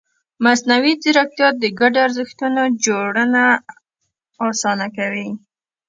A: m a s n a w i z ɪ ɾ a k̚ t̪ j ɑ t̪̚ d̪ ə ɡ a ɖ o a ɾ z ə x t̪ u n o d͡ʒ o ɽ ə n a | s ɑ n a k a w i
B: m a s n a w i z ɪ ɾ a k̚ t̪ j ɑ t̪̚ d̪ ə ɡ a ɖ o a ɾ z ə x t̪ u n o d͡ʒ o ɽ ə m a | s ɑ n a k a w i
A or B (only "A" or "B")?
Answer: A